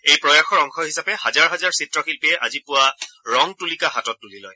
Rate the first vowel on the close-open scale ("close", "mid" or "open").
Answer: mid